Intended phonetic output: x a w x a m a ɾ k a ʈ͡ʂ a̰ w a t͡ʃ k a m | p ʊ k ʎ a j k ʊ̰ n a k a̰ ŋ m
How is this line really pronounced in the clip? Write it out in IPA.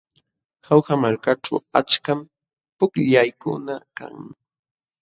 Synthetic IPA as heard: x a w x a m a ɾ k a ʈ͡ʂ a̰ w a t͡ʃ k a m | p ʊ k ʎ a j k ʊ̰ n a k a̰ ŋ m